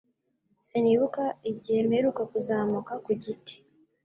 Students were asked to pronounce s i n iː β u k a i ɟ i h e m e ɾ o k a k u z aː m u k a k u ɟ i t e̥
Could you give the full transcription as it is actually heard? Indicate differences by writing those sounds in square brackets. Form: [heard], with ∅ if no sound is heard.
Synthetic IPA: s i n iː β u k a i ɟ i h e m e ɾ [u] k a k u z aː m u k a k u ɟ i t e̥